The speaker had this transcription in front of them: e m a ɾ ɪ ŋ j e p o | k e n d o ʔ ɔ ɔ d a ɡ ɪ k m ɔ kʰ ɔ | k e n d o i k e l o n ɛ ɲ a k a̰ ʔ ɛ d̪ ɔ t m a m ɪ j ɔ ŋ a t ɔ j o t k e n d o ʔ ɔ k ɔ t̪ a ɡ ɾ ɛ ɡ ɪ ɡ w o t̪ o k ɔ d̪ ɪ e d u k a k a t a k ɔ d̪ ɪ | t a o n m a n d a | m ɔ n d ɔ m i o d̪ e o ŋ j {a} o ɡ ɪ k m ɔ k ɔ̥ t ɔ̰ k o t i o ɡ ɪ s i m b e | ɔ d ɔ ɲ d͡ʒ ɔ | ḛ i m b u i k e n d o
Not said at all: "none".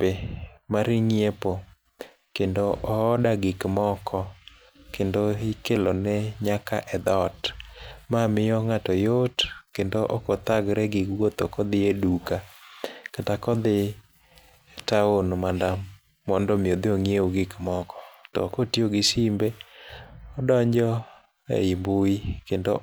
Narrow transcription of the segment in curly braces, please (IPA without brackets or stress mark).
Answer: e